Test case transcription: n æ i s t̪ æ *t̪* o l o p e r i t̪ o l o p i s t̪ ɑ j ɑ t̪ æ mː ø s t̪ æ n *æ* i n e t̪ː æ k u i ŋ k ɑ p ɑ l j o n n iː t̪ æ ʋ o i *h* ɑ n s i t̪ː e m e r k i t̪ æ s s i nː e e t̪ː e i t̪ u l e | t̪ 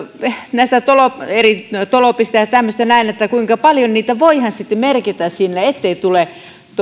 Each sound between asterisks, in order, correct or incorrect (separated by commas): correct, correct, correct